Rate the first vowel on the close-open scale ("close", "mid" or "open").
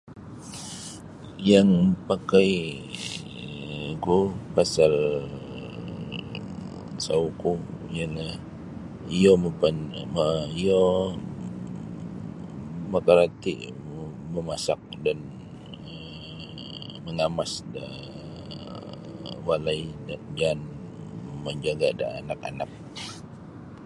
open